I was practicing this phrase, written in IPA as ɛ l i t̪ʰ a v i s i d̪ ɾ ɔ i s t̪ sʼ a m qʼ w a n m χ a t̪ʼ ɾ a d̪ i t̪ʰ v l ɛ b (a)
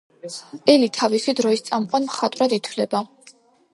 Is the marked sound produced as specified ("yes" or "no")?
yes